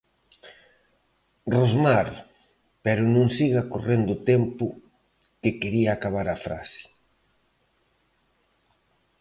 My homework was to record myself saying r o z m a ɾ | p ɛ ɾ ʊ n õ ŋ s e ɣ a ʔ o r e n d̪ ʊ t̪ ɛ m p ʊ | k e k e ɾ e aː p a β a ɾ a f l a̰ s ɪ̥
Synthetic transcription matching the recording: r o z m a ɾ | p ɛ ɾ ʊ n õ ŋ s i ɣ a k o r e n d̪ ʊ t̪ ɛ m p ʊ | k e k e ɾ i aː k a β a ɾ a f ɾ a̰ s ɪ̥